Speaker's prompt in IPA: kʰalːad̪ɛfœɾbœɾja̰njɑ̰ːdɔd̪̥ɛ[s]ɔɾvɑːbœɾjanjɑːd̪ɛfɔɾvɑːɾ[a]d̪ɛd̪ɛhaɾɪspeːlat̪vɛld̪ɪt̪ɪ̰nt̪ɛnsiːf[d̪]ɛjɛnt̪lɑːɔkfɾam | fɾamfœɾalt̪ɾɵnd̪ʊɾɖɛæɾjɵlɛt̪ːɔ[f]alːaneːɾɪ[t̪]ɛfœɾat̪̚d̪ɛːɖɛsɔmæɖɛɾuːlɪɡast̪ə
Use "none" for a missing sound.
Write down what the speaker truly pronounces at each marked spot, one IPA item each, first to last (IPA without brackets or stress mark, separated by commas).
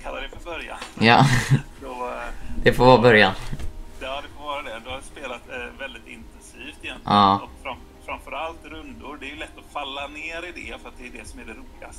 f, a, t̪, f, d̪